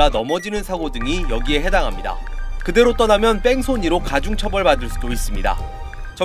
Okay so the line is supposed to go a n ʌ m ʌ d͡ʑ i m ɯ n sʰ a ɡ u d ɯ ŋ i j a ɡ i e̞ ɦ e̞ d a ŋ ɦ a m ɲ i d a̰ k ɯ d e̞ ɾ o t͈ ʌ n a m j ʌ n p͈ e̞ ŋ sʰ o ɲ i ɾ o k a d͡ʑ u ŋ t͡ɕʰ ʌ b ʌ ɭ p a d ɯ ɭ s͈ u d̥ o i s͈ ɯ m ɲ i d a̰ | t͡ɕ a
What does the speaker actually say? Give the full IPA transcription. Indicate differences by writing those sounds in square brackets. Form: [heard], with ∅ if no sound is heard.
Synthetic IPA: a n ʌ m ʌ d͡ʑ i [n] ɯ n sʰ a ɡ [o] d ɯ ŋ i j [ʌ] ɡ i e̞ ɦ e̞ d a ŋ ɦ a m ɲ i d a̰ k ɯ d e̞ ɾ o t͈ ʌ n a m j ʌ n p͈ e̞ ŋ sʰ o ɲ i ɾ o k a d͡ʑ u ŋ t͡ɕʰ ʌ b ʌ ɭ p a d ɯ ɭ s͈ u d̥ o i s͈ ɯ m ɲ i d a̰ | t͡ɕ [ʌ]

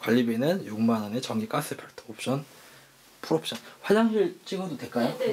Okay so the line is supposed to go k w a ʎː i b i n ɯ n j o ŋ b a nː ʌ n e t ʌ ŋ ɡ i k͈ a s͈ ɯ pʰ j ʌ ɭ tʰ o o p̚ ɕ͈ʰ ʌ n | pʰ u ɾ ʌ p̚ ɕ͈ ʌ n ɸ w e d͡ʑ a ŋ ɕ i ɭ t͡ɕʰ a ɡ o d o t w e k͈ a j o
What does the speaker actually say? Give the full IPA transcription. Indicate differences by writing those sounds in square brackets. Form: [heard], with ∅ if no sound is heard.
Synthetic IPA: k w a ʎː i b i n ɯ n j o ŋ [m] a [n] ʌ n e [t͡ɕ] ʌ ŋ ɡ i k͈ a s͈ ɯ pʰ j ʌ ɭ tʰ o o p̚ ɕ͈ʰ ʌ n | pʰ u ɾ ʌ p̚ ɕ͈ ʌ n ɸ w [a] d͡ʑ a ŋ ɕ i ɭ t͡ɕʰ [i] ɡ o d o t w e k͈ a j o

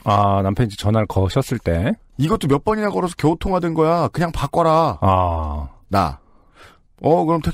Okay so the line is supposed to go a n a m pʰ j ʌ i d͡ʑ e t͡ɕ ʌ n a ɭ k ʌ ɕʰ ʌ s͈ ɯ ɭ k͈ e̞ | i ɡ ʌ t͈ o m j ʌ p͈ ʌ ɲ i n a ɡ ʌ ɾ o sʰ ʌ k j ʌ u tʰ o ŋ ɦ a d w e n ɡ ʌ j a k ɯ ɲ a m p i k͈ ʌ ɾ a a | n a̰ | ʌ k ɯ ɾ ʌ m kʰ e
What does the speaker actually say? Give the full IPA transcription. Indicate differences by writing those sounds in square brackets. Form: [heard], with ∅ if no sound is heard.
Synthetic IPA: a n a m pʰ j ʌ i d͡ʑ e t͡ɕ ʌ n a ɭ k ʌ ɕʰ ʌ s͈ ɯ ɭ [t͈] e̞ | i ɡ ʌ t͈ o m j ʌ p͈ ʌ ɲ i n a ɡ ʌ ɾ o sʰ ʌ k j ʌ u tʰ o ŋ ɦ a d w e n ɡ ʌ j a k ɯ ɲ a [ŋ] p [a] k͈ ʌ ɾ a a | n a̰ | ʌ k ɯ ɾ ʌ m [tʰ] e

